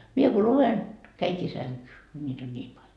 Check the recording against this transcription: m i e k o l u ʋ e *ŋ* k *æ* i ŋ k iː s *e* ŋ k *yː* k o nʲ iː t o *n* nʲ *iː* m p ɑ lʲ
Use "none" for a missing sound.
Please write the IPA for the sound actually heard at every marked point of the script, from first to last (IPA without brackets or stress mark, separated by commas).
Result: n, æ, æ, yː, n, iː